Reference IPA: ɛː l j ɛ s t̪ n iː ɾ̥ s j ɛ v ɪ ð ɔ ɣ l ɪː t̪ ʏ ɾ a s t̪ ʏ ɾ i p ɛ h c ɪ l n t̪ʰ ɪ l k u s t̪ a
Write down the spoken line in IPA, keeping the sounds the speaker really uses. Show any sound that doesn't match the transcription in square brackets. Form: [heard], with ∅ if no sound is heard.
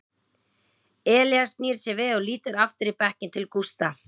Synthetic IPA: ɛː l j [a] s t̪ n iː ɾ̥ s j ɛ v ɪ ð ɔ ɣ l [iː] t̪ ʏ ɾ a [f] t̪ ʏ ɾ i p ɛ h c ɪ [∅] n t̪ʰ ɪ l k u s t̪ a